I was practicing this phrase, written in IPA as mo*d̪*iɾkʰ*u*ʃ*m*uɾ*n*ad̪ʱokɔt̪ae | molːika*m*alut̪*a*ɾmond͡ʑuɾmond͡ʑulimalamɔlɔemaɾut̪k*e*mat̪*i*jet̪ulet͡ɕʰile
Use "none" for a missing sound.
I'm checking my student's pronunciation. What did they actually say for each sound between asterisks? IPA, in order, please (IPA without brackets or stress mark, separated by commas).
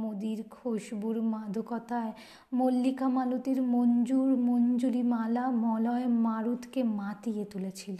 d̪, o, b, m, m, i, e, i